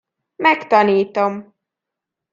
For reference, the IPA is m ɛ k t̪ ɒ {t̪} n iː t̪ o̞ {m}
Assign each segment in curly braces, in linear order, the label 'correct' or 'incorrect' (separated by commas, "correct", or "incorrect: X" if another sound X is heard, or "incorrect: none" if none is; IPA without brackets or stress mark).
incorrect: none, correct